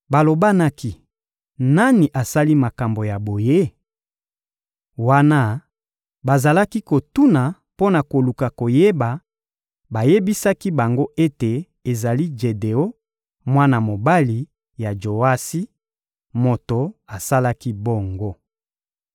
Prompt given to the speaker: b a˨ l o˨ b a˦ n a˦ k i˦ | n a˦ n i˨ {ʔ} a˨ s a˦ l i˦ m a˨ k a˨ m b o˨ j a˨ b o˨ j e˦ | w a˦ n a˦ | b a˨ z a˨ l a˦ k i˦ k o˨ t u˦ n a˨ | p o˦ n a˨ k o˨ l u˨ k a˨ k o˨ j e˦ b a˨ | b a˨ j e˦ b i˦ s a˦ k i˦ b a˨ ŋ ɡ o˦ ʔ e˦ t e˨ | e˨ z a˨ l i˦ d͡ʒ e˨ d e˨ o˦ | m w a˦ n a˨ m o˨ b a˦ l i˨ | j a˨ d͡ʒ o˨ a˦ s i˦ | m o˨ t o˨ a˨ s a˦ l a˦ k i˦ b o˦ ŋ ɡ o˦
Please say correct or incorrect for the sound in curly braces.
correct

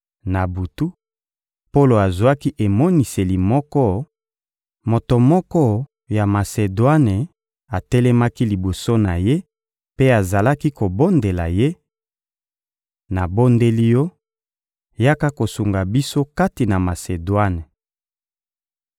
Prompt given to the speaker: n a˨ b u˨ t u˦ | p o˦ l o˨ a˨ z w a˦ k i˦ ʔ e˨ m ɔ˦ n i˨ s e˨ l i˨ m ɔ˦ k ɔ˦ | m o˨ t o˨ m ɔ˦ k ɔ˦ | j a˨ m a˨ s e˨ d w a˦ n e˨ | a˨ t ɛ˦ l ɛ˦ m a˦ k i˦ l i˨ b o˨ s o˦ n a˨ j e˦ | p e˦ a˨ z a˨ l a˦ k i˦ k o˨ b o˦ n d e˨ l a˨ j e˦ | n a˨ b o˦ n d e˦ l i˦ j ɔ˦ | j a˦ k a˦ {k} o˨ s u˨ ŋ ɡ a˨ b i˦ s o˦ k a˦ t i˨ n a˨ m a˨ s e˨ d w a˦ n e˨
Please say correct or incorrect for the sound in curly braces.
correct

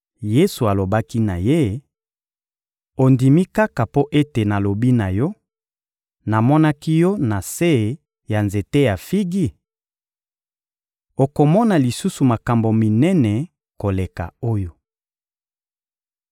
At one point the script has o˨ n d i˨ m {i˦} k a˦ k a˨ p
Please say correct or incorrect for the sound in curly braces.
correct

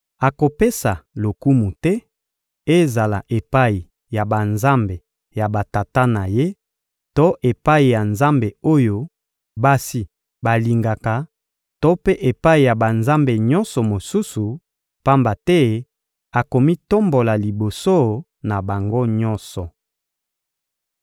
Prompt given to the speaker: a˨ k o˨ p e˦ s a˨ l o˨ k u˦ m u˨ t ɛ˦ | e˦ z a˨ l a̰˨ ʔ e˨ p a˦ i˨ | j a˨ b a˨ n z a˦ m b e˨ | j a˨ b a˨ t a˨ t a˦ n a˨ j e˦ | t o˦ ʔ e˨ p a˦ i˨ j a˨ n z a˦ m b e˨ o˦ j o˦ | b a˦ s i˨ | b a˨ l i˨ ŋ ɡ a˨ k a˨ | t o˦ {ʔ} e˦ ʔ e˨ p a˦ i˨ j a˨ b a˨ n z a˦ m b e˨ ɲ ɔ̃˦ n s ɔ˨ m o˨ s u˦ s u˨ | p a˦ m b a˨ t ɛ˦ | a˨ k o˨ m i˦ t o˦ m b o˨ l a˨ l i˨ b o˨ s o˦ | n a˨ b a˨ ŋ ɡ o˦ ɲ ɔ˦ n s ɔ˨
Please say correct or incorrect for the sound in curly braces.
incorrect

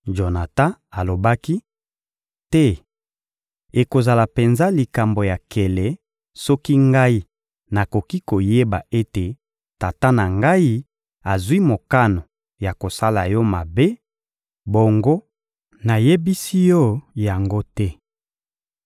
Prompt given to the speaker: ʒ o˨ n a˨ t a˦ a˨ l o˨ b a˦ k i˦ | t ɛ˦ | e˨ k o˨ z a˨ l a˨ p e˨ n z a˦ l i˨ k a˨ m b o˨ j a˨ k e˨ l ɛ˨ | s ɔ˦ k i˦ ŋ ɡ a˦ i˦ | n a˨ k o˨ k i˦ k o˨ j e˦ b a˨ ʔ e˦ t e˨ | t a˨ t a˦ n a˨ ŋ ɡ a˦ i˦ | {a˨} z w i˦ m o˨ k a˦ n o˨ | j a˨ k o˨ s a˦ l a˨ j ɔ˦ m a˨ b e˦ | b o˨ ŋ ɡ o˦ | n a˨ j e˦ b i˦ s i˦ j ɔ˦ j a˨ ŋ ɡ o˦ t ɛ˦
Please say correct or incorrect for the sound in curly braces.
correct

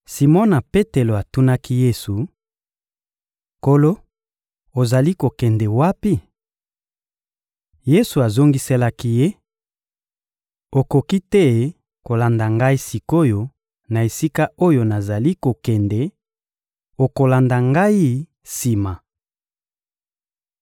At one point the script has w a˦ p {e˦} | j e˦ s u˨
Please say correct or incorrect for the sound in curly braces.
incorrect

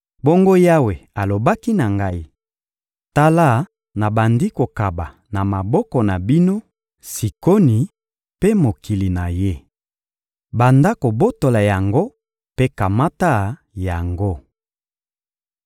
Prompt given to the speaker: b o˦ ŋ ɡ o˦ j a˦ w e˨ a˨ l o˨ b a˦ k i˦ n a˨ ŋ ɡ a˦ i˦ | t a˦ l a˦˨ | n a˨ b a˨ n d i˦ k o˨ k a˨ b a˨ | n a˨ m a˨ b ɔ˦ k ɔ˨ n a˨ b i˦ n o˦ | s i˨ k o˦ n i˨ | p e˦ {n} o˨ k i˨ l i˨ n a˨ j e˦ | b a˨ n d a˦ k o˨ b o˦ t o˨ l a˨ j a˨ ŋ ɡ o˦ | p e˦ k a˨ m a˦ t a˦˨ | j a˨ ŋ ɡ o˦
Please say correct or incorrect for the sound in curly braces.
incorrect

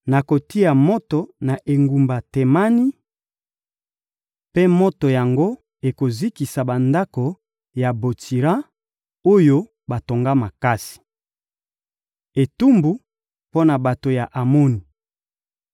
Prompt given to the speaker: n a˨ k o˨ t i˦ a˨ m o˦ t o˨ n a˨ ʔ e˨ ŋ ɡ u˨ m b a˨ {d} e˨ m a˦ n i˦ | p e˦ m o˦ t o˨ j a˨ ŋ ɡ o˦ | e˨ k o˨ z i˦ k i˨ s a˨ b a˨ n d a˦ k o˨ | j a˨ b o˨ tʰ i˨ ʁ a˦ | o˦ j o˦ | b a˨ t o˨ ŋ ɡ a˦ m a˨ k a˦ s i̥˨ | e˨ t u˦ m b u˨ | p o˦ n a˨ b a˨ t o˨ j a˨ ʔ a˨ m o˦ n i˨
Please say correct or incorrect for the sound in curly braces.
incorrect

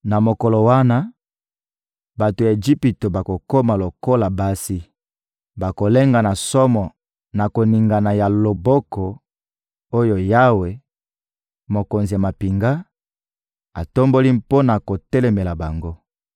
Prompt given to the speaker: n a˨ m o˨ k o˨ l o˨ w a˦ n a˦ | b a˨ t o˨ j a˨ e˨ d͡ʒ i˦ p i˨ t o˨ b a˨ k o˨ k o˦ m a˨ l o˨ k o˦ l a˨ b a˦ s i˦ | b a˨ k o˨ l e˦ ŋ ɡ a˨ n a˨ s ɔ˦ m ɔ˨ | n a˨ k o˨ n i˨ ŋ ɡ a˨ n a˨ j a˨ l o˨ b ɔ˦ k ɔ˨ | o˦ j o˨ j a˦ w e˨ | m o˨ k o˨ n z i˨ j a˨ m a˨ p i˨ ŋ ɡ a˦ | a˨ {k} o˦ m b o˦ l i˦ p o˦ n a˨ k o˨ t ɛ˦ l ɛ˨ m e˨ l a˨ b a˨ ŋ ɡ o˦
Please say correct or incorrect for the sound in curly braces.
incorrect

